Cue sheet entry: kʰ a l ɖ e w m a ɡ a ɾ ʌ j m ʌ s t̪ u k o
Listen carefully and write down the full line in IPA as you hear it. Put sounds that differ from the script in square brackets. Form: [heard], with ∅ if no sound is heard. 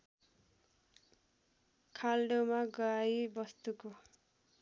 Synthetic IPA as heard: kʰ a l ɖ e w m a ɡ [ʌ] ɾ [a] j [b] ʌ s t̪ u k o